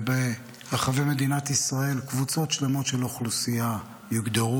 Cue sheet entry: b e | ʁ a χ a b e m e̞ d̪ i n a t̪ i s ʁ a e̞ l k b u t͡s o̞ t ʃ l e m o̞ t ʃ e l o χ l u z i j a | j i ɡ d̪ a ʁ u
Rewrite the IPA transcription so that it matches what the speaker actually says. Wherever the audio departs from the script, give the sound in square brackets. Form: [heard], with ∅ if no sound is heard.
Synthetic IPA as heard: b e | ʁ a χ a [v] e m e̞ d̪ i n a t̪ i s ʁ a e̞ l k [v] u t͡s o̞ t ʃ l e m o̞ t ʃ e l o χ l u [s] i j a | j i ɡ d̪ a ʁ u